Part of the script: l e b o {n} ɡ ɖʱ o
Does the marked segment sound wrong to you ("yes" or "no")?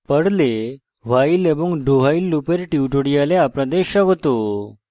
yes